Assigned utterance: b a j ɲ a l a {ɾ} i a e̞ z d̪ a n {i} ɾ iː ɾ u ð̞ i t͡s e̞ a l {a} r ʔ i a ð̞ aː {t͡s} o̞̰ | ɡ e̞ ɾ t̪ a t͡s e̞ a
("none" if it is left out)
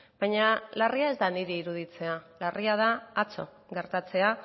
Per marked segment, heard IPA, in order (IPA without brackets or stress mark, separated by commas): r, i, a, t͡s